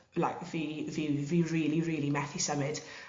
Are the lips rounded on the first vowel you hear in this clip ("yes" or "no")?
no